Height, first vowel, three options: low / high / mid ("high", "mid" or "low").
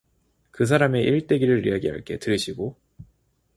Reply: high